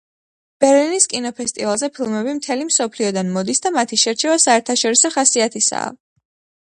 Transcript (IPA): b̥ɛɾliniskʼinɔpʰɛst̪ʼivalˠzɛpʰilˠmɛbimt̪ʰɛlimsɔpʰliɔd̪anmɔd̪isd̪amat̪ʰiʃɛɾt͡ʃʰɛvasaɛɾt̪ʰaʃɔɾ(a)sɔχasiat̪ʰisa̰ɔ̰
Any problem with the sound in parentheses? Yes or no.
yes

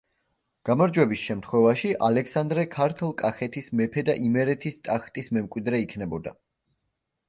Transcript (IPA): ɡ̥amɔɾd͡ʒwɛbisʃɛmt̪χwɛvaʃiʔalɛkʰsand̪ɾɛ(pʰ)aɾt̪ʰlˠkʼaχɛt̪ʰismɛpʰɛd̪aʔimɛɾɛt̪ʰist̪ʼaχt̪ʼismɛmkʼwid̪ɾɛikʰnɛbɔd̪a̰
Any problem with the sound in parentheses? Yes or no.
yes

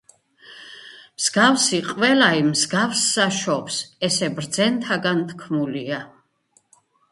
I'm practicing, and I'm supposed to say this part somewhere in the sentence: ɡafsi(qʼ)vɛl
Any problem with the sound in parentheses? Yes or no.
no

